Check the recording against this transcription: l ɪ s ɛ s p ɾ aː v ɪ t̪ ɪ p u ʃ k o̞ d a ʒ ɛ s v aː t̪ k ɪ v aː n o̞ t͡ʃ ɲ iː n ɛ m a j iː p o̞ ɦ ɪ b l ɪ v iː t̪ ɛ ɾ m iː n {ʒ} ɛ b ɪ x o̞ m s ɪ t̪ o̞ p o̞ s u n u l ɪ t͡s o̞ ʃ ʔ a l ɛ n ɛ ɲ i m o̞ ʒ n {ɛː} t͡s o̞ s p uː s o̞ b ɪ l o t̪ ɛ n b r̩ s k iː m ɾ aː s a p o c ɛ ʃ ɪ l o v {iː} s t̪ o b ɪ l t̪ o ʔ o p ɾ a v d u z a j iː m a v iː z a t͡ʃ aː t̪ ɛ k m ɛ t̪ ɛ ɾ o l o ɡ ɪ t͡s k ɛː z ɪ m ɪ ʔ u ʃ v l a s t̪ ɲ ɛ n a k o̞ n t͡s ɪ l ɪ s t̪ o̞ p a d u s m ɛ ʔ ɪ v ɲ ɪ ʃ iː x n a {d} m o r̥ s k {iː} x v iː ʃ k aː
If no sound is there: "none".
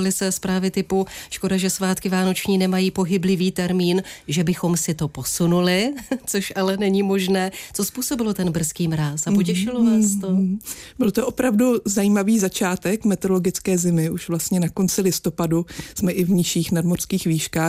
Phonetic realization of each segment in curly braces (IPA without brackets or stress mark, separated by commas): ʒ, ɛː, aː, d, iː